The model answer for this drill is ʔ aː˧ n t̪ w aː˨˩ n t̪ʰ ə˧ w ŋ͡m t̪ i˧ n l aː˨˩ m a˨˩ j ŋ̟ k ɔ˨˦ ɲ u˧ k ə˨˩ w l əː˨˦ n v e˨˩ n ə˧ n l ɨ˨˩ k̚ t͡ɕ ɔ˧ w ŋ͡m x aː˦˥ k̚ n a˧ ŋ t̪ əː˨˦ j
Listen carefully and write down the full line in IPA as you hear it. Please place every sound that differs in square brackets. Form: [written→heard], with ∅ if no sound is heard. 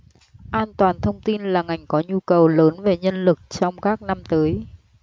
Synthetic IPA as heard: ʔ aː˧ n t̪ w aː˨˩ n t̪ʰ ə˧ w ŋ͡m t̪ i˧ n l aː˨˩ [m→ŋ] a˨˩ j ŋ̟ k ɔ˨˦ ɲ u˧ k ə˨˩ w l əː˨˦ n v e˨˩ [n→ɲ] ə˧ n l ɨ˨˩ k̚ t͡ɕ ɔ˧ w ŋ͡m [x→k] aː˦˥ k̚ n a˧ [ŋ→m] t̪ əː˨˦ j

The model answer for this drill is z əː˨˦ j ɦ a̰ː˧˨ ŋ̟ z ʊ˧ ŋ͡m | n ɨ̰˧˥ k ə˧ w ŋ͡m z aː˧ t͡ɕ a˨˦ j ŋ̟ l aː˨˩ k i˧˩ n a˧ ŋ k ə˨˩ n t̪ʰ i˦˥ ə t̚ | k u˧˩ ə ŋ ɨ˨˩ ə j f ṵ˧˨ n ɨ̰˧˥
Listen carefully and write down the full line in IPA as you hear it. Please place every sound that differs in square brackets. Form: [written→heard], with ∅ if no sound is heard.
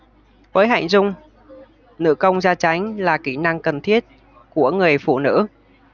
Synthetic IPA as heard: [z→v] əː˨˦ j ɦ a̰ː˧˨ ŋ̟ z ʊ˧ ŋ͡m | n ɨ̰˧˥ k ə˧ w ŋ͡m z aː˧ t͡ɕ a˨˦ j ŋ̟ l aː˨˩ k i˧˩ n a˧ ŋ k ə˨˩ n t̪ʰ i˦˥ ə t̚ | k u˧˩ ə ŋ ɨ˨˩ ə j f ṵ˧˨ n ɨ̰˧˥

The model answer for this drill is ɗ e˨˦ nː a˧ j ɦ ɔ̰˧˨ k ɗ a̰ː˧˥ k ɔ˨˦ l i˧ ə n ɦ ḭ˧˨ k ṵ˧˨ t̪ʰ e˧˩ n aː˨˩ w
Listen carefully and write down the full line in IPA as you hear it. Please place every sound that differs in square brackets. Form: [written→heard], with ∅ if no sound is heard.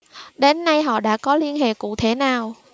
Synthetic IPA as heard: ɗ e˨˦ nː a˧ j ɦ ɔ̰˧˨ [k→∅] ɗ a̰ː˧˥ k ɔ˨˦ l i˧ ə n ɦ [ḭ˧˨→ḛ˧˨] k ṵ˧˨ t̪ʰ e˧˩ n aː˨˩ w

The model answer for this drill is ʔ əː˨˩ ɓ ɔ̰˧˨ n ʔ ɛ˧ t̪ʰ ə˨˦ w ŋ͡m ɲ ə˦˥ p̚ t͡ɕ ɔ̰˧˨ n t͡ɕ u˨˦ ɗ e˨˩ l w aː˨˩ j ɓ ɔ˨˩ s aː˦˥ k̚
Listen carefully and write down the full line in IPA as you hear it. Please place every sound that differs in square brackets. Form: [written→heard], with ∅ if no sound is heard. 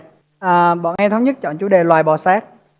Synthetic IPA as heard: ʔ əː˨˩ ɓ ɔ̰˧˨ n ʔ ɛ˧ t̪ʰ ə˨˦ w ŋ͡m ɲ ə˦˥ [p̚→t̚] t͡ɕ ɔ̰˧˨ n t͡ɕ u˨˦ ɗ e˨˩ l w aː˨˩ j ɓ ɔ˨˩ s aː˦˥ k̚

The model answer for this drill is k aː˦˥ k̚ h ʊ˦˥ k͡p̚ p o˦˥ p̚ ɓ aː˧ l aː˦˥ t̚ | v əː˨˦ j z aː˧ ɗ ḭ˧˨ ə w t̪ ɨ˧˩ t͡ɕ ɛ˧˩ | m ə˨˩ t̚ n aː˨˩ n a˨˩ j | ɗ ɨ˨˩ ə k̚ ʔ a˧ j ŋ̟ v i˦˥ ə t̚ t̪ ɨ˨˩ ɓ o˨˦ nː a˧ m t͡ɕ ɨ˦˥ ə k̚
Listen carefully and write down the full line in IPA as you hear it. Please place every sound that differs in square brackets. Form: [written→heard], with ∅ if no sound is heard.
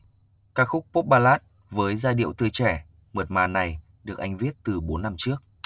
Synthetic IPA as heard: k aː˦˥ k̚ [h→x] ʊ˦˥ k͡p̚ p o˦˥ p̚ ɓ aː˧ l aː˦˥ t̚ | v əː˨˦ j z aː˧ ɗ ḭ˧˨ ə w t̪ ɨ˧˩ t͡ɕ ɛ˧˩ | m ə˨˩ t̚ [n→m] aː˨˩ n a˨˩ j | ɗ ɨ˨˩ ə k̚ ʔ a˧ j ŋ̟ v i˦˥ ə t̚ t̪ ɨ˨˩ ɓ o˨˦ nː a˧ m t͡ɕ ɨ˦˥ ə k̚

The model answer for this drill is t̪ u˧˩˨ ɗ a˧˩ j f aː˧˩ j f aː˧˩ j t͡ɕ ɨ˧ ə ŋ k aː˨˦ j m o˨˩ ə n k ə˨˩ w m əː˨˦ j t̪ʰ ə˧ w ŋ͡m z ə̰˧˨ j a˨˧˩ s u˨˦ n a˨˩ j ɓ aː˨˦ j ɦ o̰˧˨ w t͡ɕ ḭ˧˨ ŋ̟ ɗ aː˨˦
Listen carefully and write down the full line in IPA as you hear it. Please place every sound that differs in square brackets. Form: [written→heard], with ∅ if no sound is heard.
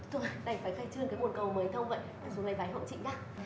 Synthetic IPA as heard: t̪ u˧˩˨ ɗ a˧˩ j f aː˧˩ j [f→x] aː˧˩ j t͡ɕ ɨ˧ ə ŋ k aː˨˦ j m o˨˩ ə n k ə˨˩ w m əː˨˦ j t̪ʰ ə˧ w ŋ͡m [z→v] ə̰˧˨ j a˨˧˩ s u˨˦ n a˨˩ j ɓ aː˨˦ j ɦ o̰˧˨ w t͡ɕ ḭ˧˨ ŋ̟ ɗ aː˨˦

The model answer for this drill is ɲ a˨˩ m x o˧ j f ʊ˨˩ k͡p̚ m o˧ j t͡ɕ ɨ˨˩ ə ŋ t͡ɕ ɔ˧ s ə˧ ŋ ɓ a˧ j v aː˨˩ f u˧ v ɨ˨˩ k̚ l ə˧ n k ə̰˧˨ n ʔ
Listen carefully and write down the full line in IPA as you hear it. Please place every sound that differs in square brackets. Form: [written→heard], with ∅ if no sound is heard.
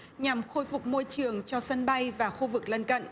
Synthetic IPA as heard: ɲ a˨˩ m x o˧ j f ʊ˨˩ k͡p̚ m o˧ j t͡ɕ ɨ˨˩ ə ŋ t͡ɕ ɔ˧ s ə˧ [ŋ→n] ɓ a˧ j v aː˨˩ [f→x] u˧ v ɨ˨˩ k̚ l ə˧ n k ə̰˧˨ n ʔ

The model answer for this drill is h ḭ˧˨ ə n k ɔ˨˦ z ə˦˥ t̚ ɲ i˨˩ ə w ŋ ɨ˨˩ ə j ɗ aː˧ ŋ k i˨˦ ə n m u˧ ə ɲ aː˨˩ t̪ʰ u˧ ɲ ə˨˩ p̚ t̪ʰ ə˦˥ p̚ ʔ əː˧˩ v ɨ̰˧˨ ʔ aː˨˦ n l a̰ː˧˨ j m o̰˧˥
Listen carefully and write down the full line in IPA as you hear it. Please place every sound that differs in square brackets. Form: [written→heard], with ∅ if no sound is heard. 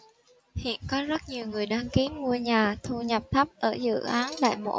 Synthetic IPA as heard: h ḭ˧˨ ə n k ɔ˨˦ z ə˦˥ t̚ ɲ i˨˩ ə w ŋ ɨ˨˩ ə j ɗ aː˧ ŋ k i˨˦ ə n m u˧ ə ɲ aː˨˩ t̪ʰ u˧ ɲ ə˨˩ p̚ t̪ʰ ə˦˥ p̚ ʔ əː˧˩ [v→z] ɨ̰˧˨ ʔ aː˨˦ n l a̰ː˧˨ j m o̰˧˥

